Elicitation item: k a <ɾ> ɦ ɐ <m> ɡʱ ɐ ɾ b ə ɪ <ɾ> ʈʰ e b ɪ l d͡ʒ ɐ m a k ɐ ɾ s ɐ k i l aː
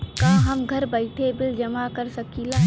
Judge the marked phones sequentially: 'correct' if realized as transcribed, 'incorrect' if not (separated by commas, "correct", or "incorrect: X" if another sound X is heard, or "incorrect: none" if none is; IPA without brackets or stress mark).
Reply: incorrect: none, correct, incorrect: none